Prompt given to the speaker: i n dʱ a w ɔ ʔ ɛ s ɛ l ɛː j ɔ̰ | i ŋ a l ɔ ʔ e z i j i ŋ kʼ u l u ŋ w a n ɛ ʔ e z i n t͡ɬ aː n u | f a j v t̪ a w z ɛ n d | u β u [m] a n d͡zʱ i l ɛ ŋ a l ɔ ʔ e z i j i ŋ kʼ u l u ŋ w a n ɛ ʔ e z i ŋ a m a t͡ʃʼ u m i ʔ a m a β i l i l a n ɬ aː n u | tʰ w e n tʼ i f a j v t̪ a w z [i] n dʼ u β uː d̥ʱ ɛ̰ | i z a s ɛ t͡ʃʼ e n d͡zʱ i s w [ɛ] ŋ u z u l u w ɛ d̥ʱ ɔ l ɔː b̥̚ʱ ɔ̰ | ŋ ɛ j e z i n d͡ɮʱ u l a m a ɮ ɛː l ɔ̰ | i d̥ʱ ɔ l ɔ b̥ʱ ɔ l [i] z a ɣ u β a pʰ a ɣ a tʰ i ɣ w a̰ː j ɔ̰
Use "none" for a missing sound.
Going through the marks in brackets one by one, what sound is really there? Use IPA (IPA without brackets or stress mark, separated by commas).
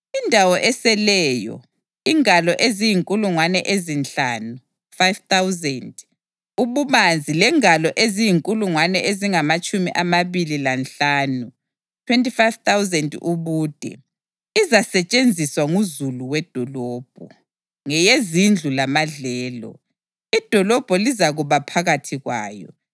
m, ɛ, a, i